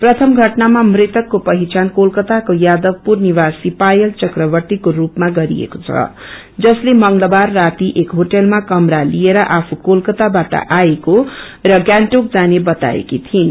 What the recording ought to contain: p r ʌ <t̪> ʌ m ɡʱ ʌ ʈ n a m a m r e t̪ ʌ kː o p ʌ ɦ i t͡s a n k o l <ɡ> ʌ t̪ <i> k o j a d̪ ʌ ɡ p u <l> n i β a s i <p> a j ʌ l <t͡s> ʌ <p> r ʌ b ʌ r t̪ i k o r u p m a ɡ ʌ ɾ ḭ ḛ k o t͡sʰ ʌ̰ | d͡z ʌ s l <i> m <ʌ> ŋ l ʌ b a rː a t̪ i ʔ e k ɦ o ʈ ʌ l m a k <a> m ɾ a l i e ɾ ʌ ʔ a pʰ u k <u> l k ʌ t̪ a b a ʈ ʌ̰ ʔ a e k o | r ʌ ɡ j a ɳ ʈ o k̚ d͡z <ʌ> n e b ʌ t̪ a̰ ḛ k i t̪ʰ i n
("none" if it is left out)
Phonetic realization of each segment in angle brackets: t̪ʰ, k, a, r, p, t͡s, k, e, ʌ, ʌ, o, a

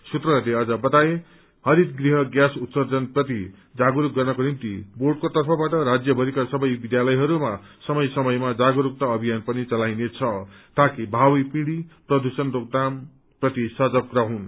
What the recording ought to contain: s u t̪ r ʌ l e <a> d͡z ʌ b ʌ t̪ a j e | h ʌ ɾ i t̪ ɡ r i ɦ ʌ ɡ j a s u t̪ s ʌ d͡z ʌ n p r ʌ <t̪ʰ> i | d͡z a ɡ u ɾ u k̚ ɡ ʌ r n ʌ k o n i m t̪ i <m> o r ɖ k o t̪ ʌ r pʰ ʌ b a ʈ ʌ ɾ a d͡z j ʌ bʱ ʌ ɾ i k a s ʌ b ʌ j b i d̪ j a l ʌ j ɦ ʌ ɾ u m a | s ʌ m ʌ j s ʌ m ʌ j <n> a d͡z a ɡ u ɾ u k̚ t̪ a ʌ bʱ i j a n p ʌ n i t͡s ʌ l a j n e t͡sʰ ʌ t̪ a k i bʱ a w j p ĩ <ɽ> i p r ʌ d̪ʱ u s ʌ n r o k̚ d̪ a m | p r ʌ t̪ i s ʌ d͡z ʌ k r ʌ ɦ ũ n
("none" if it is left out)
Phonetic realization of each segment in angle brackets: ʌ, t̪, b, m, ɽ

